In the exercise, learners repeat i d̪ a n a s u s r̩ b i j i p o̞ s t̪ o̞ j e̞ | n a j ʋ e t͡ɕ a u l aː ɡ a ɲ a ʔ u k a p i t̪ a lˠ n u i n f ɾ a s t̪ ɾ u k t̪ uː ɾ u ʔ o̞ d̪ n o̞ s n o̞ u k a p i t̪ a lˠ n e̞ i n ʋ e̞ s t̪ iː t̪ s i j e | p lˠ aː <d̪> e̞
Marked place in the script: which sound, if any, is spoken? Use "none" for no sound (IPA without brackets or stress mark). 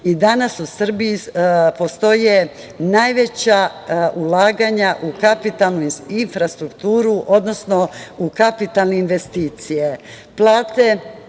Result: t̪